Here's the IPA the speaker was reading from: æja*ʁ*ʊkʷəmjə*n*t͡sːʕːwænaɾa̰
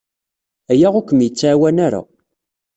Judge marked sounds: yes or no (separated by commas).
yes, no